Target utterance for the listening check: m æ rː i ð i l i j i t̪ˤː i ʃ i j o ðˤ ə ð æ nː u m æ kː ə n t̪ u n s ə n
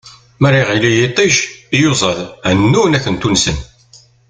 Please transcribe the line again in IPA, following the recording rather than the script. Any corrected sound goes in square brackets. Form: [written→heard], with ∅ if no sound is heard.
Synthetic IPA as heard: m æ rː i [ð→ʁ] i l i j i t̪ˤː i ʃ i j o [ðˤ→zˤ] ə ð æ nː u [m→n] æ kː ə n t̪ u n s ə n